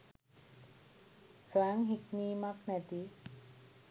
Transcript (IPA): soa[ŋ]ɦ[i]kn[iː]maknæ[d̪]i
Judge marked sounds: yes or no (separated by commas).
yes, yes, yes, no